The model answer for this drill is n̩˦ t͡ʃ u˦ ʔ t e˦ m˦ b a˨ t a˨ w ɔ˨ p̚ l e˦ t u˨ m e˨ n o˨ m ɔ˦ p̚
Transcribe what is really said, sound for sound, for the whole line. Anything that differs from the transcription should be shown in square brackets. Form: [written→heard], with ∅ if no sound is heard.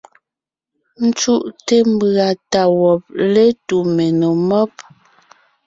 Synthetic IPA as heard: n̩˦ t͡ʃ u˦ ʔ t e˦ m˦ b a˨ t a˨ w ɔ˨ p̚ l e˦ t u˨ m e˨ n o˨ m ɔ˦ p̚